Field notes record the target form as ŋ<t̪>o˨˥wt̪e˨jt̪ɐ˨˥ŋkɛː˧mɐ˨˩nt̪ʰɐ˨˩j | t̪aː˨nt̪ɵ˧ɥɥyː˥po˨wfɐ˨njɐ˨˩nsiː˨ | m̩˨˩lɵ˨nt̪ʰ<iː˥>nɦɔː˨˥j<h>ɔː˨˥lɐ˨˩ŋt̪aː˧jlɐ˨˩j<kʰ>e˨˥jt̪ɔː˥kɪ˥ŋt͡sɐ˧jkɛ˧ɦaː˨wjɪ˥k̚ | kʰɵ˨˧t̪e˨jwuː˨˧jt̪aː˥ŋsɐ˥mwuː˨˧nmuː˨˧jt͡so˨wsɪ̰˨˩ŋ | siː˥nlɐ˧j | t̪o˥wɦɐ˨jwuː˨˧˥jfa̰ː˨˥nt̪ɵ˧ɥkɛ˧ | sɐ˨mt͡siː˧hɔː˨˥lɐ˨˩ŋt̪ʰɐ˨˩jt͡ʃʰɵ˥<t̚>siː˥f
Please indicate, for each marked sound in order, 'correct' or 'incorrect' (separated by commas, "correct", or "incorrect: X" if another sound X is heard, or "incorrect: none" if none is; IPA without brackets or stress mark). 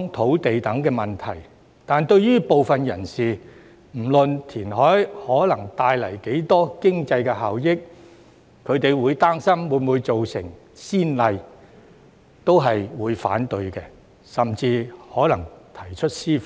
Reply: incorrect: t̪ʰ, incorrect: iː˨˩, correct, incorrect: k, correct